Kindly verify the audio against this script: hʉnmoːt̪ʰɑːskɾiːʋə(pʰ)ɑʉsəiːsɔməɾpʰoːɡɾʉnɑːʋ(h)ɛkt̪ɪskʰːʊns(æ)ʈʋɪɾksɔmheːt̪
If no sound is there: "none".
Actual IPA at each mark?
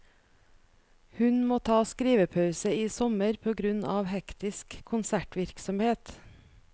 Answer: pʰ, h, æ

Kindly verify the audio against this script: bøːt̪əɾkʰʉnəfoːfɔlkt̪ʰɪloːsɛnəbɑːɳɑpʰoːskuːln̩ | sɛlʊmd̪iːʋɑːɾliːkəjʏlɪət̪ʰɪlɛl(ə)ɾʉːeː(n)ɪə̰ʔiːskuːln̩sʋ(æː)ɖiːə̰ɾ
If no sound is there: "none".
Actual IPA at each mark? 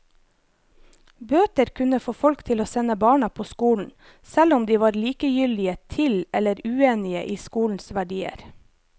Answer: ə, n, æ

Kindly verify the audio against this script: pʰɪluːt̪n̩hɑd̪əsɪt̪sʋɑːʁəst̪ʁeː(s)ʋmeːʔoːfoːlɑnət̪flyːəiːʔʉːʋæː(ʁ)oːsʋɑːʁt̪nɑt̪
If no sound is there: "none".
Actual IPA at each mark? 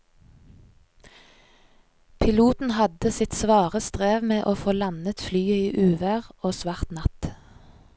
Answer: none, ʁ

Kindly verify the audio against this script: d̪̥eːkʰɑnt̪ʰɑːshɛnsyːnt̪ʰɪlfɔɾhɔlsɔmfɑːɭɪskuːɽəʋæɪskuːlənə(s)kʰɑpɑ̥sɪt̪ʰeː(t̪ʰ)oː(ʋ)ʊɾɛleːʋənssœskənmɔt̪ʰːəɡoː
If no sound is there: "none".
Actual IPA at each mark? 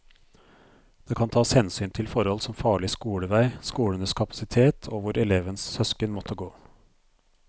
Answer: s, t̪ʰ, ʋ

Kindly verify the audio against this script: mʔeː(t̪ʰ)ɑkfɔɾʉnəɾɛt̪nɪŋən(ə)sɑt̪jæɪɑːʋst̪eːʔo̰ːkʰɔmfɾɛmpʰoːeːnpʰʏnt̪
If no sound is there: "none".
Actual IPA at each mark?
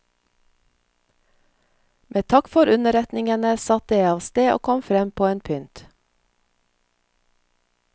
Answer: t̪ʰ, ə

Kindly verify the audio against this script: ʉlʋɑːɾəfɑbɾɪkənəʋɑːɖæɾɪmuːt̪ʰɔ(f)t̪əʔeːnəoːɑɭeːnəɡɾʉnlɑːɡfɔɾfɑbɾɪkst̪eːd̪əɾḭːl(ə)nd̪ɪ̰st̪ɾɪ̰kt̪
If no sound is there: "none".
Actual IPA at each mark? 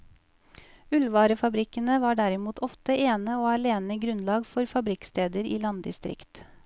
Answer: f, ɑ

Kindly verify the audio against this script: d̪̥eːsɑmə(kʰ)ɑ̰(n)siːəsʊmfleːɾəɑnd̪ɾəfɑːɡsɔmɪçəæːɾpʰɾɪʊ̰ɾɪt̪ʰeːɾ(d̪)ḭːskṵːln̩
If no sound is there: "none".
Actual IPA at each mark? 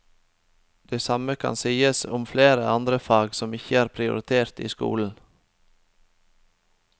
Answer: kʰ, n, t̪

